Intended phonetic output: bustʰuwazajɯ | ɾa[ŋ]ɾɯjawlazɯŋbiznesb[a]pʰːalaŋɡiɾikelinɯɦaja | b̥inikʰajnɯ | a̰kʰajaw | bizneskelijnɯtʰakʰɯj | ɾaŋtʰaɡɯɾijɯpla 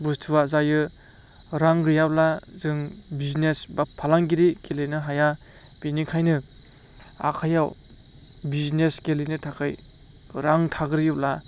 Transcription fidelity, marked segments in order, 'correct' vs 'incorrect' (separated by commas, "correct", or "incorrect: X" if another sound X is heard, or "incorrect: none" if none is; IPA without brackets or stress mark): correct, correct